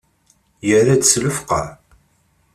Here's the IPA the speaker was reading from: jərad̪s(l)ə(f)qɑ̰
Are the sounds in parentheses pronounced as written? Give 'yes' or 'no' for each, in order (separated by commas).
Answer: yes, yes